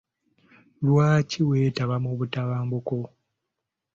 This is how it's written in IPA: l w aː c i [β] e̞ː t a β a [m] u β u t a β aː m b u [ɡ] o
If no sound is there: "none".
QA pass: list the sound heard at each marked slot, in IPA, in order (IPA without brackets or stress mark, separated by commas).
w, m, k